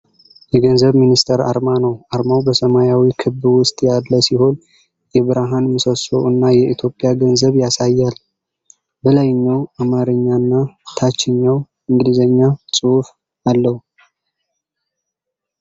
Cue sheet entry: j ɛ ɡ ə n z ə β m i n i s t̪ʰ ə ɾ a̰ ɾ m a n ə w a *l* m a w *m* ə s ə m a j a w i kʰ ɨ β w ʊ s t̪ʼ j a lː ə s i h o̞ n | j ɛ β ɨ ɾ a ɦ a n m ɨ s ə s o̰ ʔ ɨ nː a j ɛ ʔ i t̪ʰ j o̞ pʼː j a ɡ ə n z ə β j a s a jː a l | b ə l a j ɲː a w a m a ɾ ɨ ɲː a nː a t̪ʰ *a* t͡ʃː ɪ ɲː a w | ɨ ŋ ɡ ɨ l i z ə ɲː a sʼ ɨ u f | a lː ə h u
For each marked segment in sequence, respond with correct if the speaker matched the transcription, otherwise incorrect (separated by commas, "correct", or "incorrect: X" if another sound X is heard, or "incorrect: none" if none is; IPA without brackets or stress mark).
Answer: incorrect: ɾ, incorrect: b, correct